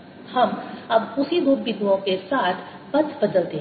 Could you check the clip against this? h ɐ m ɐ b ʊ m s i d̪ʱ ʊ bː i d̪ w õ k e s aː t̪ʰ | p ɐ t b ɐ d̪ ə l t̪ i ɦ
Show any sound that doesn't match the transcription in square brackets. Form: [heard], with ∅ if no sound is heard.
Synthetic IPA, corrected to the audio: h ɐ m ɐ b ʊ [∅] s i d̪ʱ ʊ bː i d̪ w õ k e s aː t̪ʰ | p ɐ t b ɐ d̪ ə l t̪ [e] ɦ